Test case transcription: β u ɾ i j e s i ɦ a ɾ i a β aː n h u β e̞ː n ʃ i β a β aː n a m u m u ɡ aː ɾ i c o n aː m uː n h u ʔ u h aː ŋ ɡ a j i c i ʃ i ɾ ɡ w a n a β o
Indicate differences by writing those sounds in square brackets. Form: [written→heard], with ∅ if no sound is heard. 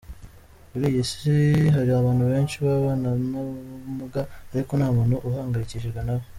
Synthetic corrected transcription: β u ɾ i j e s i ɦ a ɾ i a β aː n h u β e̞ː n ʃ i β a β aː n a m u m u ɡ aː ɾ i [c→k] o n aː m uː n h u ʔ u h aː ŋ ɡ a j i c i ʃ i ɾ ɡ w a n a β o